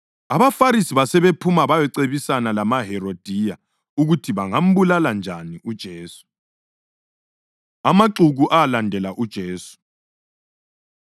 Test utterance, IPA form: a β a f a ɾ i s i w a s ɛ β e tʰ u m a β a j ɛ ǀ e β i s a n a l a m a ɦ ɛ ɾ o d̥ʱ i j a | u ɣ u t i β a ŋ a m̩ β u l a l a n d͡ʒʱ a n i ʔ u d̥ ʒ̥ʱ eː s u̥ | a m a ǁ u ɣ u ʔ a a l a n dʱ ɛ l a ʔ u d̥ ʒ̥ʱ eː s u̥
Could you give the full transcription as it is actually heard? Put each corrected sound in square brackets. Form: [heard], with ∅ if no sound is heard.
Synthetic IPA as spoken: a β a f a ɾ i s i [β] a s ɛ β e [pʰ] u m a β a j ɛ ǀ e β i s a n a l a m a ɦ ɛ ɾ o d̥ʱ i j a | u ɣ u [tʰ] i β a ŋ a m̩ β u l a l a n d͡ʒʱ a n i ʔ u d̥ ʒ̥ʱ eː s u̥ | a m a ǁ u ɣ u ʔ a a l a n dʱ ɛ l a ʔ u d̥ ʒ̥ʱ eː s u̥

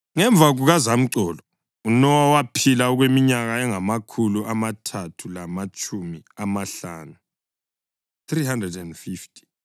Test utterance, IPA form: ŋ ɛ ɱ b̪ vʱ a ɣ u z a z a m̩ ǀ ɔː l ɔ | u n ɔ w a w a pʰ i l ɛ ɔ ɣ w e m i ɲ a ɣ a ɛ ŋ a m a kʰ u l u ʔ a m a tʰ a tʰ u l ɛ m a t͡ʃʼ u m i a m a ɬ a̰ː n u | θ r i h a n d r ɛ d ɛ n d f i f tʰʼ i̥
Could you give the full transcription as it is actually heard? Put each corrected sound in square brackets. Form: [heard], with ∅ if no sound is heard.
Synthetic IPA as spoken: ŋ ɛ ɱ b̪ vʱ a ɣ u [ɣ] a z a m̩ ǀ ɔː l ɔ | u n ɔ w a w a pʰ i l [a] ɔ ɣ w e m i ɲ a ɣ a ɛ ŋ a m a kʰ u l u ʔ a m a tʰ a tʰ u l [a] m a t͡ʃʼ u m i a m a ɬ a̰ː n u | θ r i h a n d r ɛ d ɛ n d f i f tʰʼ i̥

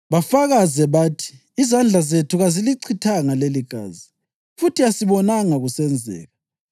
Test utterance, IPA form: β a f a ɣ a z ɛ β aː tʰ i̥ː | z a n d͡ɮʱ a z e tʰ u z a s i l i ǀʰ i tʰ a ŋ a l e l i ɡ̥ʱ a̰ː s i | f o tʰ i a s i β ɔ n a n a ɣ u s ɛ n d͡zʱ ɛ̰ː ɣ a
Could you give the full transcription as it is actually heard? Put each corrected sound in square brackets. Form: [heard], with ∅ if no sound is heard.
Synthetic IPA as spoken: β a f a ɣ a z ɛ β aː tʰ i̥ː | z a n d͡ɮʱ a z e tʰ u [ɣ] a [z] i l i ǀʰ i tʰ a ŋ a l e l i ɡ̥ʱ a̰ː [z] i | f [u] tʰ i a s i β ɔ n a [ŋ] a ɣ u s ɛ n d͡zʱ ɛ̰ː ɣ a

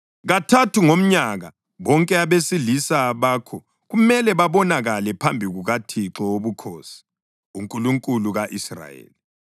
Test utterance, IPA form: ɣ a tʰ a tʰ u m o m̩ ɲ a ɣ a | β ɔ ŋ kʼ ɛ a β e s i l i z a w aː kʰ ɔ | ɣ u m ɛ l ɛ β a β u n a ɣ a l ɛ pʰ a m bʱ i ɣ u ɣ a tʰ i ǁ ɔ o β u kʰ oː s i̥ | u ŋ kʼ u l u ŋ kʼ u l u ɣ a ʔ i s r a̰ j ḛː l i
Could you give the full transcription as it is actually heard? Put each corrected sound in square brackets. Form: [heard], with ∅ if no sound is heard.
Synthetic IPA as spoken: ɣ a tʰ a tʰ u [ŋ] o m̩ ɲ a ɣ a | β ɔ ŋ kʼ ɛ a β e s i l i [s] a [β] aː kʰ ɔ | ɣ u m ɛ l ɛ β a β [ɔ] n a ɣ a l ɛ pʰ a m bʱ i ɣ u ɣ a tʰ i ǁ ɔ o β u kʰ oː s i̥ | u ŋ kʼ u l u ŋ kʼ u l u ɣ a ʔ i s r a̰ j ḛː l i

